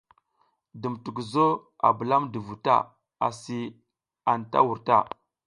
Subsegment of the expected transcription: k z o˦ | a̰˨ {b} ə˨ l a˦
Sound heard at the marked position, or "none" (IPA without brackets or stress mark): b